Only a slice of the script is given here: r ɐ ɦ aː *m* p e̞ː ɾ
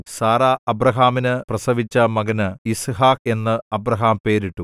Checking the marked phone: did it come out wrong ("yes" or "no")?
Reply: no